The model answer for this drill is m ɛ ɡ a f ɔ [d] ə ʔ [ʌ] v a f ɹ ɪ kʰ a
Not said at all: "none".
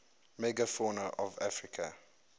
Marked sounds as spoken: n, ɔ

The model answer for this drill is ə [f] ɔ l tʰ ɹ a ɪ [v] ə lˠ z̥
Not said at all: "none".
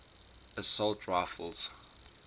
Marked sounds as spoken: s, f

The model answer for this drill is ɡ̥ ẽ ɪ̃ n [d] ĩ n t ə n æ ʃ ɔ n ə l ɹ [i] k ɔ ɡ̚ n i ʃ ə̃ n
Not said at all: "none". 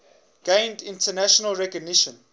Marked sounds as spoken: d, ɛ

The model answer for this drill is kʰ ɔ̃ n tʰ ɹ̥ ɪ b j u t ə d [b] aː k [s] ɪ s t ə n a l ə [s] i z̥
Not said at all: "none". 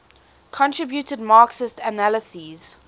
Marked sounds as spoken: m, s, s

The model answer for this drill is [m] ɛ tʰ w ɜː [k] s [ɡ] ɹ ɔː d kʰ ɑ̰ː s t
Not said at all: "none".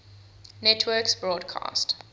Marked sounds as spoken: n, k, b

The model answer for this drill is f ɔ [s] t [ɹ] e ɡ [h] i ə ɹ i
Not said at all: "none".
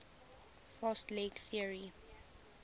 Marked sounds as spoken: s, l, θ

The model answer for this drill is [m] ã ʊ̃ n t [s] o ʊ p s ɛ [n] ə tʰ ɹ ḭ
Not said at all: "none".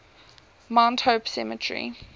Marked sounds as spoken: m, h, m

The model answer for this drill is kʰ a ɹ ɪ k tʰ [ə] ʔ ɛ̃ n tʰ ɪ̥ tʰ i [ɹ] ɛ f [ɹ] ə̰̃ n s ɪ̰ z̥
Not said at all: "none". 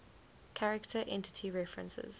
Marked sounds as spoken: ə, ɹ, ɹ

